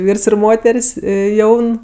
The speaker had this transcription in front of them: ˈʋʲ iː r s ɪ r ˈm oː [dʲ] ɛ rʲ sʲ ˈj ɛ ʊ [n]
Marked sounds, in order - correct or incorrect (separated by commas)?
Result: incorrect, correct